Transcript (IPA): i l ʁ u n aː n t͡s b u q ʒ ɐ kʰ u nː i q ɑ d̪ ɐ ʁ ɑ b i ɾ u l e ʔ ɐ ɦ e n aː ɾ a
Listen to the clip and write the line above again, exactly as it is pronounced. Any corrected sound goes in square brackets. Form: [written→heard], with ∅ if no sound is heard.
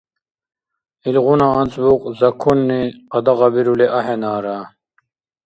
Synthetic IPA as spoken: i l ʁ u n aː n t͡s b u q [ʒ→z] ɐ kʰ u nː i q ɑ d̪ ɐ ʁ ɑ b i ɾ u l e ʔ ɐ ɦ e n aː ɾ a